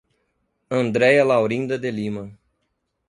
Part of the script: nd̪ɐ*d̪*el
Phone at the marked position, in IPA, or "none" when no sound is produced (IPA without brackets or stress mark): d̪